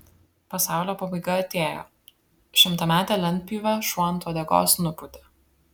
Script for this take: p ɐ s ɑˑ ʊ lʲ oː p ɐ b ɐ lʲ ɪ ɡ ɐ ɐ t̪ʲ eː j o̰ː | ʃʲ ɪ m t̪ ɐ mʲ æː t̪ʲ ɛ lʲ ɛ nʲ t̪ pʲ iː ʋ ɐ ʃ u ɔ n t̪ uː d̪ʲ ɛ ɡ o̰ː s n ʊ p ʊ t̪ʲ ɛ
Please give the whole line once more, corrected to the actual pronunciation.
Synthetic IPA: p ɐ s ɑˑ ʊ lʲ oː p ɐ b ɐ ɪ ɡ ɐ ɐ t̪ʲ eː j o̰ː | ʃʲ ɪ m t̪ ɐ mʲ æː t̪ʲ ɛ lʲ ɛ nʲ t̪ pʲ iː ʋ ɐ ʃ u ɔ n t̪ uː d̪ʲ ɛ ɡ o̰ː s n ʊ p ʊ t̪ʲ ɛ